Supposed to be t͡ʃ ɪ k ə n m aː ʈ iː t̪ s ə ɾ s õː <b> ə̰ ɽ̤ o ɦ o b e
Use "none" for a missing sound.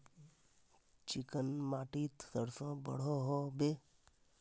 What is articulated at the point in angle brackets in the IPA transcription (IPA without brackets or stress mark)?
b